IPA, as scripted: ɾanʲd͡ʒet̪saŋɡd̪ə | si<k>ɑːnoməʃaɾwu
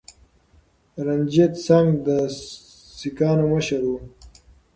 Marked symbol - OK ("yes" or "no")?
yes